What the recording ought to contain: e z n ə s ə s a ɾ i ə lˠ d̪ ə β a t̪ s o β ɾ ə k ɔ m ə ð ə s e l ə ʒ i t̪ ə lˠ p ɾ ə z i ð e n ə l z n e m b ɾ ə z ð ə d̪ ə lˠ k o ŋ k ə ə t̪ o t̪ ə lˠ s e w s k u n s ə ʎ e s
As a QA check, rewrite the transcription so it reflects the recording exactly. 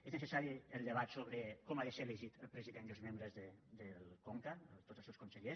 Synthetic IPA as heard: e z n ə s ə s a ɾ i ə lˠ d̪ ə β a t̪ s o β ɾ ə k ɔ m a ð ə s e l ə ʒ i t̪ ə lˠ p ɾ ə z i ð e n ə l z m e m b ɾ ə z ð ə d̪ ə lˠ k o ŋ k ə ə t̪ o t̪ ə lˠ s e w s k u n s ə ʎ e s